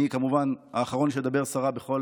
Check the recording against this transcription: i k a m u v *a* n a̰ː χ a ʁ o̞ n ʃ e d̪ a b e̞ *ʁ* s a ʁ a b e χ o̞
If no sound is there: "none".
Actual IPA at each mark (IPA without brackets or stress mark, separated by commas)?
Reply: a, ʁ